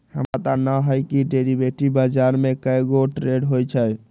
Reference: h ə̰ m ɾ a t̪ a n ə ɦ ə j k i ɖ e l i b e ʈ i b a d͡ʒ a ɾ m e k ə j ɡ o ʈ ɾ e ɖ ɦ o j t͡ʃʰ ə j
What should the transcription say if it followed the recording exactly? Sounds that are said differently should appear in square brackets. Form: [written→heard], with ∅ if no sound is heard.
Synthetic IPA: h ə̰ m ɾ a t̪ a n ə ɦ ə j k i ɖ e [l→ɾ] i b e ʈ i b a d͡ʒ a ɾ m e k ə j ɡ o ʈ ɾ e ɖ ɦ o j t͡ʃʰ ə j

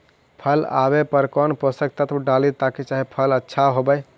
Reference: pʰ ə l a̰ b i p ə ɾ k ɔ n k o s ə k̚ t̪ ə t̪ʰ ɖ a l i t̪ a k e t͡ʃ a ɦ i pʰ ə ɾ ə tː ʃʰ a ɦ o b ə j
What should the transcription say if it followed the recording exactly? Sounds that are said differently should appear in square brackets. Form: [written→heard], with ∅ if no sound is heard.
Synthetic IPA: pʰ ə l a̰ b [i→e] p ə ɾ k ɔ n [k→p] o s ə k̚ t̪ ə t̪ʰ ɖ a l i t̪ a k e t͡ʃ a ɦ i pʰ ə [ɾ→l] ə tː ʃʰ a ɦ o b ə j

